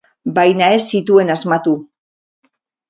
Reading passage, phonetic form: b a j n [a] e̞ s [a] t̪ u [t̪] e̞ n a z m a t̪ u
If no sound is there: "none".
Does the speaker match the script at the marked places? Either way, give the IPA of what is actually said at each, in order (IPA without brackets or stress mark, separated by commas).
a, i, none